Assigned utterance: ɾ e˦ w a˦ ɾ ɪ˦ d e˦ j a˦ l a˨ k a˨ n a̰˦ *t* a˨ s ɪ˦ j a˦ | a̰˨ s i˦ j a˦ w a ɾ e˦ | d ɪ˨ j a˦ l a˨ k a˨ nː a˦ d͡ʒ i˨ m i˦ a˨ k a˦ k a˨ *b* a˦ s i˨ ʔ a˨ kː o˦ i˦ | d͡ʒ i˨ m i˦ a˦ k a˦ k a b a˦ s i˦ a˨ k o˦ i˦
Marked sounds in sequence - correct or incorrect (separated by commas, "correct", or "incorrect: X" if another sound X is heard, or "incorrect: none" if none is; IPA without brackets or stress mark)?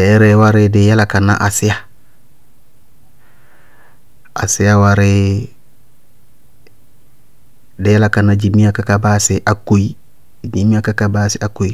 incorrect: ʔ, correct